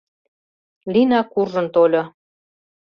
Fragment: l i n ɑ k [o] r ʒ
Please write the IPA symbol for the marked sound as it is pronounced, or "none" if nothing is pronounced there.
u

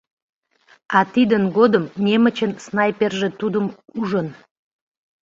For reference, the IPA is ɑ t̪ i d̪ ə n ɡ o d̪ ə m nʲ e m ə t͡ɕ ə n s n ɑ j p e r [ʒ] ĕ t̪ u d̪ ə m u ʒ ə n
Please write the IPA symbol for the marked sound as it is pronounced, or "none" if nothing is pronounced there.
ʒ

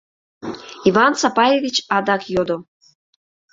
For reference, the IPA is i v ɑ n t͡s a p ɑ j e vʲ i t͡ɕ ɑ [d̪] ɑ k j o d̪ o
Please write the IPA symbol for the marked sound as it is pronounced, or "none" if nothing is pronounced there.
d̪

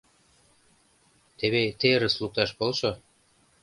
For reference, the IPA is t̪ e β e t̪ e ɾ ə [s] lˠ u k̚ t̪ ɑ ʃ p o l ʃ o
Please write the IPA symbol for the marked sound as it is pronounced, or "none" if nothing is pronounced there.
s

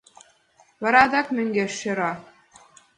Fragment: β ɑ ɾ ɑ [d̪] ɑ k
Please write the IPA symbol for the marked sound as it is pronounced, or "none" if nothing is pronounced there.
d̪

